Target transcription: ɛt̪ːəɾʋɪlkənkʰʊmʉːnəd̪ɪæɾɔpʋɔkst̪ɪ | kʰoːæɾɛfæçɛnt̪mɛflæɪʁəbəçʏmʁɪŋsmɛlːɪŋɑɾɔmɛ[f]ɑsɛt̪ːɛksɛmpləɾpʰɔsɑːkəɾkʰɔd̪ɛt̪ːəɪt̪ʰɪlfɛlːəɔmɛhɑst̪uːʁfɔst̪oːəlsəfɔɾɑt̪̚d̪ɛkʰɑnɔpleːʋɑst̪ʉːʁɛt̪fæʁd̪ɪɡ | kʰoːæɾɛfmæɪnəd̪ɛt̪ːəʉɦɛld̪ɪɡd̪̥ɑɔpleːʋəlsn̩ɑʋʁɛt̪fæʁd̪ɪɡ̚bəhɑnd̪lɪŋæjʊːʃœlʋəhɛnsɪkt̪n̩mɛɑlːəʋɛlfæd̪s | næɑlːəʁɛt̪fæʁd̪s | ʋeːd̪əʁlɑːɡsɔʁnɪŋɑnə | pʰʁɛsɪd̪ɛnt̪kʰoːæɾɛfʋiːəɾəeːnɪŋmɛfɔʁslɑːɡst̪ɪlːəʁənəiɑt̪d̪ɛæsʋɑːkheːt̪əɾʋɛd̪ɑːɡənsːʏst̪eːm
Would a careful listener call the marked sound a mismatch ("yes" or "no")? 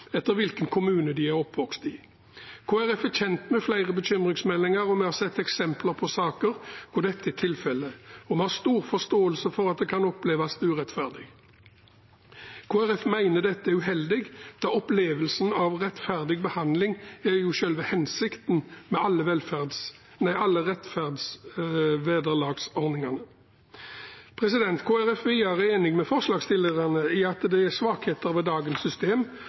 yes